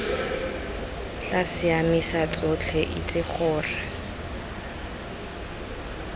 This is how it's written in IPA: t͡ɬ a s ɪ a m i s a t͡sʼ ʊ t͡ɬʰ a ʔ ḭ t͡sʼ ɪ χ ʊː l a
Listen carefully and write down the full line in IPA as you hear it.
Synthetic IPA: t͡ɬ a s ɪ a m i s a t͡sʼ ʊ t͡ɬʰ ɛ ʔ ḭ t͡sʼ ɪ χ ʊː r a